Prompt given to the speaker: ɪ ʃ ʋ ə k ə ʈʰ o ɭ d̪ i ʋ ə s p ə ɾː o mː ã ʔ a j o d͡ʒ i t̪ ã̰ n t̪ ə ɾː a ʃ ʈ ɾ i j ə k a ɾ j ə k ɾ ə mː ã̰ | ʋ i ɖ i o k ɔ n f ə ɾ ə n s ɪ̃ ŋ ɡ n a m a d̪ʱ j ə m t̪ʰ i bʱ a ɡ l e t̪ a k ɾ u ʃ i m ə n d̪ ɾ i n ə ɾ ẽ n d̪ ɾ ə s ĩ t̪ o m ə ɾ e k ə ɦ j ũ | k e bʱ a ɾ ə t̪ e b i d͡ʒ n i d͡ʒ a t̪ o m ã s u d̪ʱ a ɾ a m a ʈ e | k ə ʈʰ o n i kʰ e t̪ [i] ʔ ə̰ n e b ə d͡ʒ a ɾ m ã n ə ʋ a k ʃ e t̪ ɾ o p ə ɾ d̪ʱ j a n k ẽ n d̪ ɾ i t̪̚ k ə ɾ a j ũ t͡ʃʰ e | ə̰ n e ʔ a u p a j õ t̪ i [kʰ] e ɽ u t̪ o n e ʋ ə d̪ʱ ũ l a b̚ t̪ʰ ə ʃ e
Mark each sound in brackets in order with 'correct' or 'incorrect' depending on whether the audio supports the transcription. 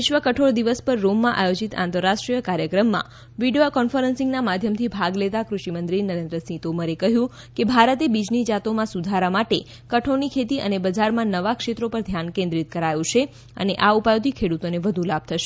correct, correct

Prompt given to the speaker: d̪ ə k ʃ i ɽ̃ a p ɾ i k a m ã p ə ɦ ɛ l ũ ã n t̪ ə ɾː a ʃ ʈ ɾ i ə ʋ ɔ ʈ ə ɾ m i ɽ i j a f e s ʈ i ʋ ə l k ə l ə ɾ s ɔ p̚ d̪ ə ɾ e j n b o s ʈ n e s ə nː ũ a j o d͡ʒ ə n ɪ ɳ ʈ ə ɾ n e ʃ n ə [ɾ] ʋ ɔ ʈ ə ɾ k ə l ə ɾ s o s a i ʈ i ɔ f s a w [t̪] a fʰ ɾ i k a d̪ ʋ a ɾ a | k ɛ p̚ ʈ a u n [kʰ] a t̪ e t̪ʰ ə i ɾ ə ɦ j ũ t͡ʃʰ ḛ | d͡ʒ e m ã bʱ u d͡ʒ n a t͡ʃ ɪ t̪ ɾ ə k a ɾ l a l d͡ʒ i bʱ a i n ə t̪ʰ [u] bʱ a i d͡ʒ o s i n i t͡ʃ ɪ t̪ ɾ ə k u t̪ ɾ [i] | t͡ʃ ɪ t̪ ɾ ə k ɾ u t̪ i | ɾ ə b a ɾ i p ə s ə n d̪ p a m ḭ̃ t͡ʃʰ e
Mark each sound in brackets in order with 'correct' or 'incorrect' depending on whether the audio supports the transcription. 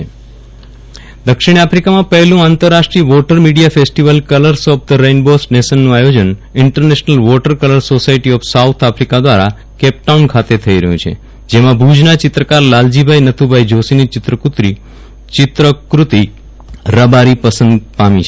incorrect, incorrect, correct, correct, correct

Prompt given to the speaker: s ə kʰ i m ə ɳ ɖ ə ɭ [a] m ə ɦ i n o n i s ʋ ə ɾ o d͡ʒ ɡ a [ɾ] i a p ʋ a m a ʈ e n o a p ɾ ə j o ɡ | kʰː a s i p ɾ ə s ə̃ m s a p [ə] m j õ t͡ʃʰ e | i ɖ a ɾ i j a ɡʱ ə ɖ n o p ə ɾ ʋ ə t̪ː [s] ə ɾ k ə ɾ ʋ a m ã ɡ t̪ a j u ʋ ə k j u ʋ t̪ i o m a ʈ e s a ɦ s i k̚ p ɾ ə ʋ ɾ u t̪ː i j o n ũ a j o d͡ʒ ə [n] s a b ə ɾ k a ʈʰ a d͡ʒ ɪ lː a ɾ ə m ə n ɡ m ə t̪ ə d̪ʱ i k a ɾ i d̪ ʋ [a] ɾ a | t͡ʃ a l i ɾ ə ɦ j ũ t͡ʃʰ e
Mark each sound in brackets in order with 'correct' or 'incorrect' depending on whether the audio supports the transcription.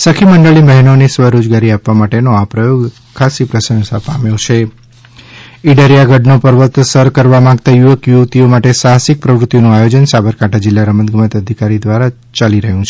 incorrect, correct, incorrect, correct, correct, correct

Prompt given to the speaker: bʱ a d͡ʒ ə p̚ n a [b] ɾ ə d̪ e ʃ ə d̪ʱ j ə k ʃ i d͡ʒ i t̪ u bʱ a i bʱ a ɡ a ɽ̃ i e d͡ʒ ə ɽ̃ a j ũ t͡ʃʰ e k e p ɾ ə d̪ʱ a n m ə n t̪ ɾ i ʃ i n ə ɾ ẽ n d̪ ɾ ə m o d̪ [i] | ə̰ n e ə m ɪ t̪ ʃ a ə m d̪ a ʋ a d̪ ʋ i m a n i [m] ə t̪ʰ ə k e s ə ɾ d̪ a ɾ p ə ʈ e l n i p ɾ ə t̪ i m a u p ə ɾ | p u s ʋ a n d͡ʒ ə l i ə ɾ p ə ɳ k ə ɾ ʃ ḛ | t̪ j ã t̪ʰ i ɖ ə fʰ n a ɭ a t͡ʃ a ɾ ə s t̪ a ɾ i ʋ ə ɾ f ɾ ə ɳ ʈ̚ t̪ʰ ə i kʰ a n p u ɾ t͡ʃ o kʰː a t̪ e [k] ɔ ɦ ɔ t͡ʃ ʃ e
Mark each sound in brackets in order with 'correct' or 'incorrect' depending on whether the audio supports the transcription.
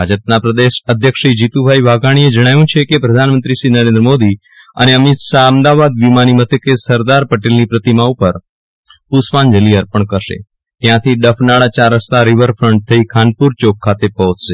incorrect, correct, correct, incorrect

